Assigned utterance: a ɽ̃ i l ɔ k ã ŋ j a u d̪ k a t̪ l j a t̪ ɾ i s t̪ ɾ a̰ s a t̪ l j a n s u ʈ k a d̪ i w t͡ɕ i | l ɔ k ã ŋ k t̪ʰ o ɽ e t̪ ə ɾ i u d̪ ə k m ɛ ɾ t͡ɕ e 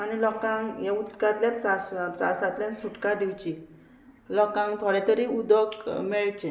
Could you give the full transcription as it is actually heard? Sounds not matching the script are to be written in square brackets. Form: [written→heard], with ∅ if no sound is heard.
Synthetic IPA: a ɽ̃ i l ɔ k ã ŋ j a u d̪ k a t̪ l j a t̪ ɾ [i→a] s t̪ ɾ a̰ s a t̪ l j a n s u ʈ k a d̪ i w t͡ɕ i | l ɔ k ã ŋ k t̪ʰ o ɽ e t̪ ə ɾ i u d̪ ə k m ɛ [ɾ→ɭ] t͡ɕ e